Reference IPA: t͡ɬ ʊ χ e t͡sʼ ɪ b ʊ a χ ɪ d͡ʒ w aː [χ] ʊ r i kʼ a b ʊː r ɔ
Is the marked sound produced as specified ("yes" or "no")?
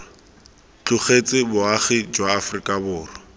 no